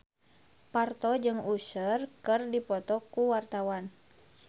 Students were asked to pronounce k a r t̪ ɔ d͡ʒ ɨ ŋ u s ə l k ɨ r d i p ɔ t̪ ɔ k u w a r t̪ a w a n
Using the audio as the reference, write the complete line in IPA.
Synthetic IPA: p a r t̪ ɔ d͡ʒ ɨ ŋ u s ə r k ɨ r d i p ɔ t̪ ɔ k u w a r t̪ a w a n